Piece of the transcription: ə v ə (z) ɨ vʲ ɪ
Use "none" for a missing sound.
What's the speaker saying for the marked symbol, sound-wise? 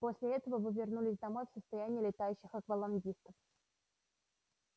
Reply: v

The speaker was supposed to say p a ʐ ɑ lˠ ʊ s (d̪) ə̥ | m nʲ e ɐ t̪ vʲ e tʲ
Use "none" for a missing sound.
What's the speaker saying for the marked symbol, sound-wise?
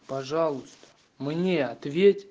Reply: t̪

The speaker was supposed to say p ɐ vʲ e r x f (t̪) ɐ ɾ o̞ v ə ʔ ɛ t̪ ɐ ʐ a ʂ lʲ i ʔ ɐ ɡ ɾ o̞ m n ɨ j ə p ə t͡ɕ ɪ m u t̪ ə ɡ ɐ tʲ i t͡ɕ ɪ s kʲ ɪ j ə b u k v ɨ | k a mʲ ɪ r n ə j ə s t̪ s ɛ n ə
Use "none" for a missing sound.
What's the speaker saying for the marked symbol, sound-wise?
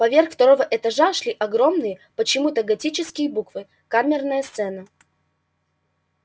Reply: t̪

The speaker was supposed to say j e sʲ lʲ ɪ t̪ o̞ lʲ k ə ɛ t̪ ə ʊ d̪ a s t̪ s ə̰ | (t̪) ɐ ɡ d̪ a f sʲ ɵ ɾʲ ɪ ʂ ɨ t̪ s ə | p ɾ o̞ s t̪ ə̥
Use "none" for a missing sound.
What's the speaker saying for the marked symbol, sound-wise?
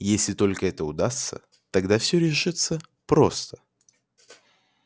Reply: t̪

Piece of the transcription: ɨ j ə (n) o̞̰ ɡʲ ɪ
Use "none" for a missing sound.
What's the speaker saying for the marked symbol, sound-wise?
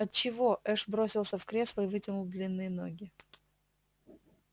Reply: n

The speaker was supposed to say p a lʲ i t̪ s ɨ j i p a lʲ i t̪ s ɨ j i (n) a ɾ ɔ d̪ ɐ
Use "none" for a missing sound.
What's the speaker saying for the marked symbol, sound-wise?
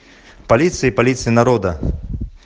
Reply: n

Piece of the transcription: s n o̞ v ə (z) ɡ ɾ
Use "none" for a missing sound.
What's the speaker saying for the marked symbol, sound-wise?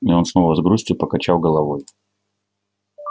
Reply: z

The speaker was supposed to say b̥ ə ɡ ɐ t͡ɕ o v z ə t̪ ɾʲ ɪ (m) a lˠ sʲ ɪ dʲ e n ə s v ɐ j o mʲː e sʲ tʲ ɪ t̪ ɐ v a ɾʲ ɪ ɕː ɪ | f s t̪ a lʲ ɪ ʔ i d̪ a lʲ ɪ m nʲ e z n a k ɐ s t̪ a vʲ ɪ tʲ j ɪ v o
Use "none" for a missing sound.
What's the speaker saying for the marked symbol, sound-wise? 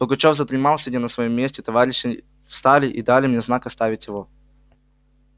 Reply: m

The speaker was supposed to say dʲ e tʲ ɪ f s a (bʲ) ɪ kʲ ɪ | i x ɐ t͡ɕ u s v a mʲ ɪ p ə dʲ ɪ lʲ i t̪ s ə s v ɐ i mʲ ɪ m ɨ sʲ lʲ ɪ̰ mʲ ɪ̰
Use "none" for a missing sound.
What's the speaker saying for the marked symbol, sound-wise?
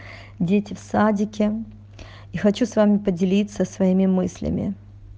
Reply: dʲ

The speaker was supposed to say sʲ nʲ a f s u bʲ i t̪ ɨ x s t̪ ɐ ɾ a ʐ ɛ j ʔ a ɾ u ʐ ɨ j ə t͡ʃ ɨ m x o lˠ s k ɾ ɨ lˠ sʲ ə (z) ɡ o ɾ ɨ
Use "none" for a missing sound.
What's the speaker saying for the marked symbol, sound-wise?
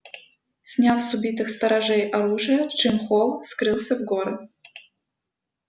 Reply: v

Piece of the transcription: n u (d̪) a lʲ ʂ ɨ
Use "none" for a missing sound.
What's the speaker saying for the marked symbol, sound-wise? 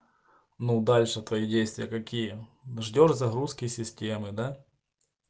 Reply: d̪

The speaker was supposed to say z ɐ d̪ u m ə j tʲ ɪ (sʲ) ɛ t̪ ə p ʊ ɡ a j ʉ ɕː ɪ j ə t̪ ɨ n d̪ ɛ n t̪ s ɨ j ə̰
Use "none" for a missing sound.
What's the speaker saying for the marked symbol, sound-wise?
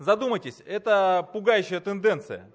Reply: sʲ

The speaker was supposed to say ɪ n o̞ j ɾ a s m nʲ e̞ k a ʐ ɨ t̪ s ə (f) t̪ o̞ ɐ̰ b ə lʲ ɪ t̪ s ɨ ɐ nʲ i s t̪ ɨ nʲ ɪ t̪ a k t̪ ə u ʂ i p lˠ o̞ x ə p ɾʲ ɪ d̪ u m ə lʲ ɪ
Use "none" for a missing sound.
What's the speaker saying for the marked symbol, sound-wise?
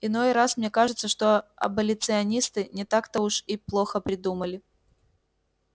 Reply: ʂ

